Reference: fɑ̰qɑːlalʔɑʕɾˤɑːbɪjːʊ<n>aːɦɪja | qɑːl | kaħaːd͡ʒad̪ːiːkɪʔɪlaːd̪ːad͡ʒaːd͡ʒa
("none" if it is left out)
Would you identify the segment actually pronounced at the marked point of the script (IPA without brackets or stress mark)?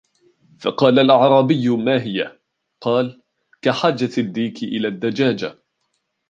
m